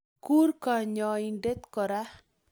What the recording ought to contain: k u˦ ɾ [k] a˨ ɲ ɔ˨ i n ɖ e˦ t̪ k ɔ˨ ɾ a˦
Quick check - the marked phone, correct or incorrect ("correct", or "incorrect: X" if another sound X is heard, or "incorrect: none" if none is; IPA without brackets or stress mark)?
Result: correct